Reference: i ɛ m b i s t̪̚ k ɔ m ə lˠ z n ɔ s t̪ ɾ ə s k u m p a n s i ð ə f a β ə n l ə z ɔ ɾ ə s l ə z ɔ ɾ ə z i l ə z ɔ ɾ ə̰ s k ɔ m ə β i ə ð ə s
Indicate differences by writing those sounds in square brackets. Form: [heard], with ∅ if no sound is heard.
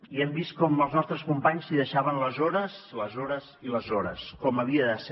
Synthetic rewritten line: i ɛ m b i s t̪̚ k ɔ m ə lˠ z n ɔ s t̪ ɾ ə s k u m p a [ɲ] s i ð ə [ʃ] a β ə n l ə z ɔ ɾ ə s l ə z ɔ ɾ ə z i l ə z ɔ ɾ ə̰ s k ɔ m ə β i ə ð ə s